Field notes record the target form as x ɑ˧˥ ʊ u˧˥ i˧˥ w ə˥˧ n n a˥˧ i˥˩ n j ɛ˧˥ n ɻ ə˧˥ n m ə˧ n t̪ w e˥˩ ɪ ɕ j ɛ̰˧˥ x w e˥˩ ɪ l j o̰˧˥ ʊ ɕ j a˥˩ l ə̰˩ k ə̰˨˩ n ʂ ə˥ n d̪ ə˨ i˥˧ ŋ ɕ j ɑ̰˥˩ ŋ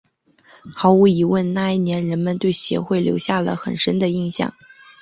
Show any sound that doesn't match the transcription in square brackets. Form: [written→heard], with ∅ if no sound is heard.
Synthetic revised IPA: x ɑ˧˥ ʊ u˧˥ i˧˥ w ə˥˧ n n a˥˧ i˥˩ n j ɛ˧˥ n ɻ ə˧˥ n m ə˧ n t̪ w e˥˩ ɪ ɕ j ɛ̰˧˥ x w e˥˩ ɪ l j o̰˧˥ ʊ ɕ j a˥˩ l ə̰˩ [k→x] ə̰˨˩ n ʂ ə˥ n d̪ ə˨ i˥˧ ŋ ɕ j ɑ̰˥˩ ŋ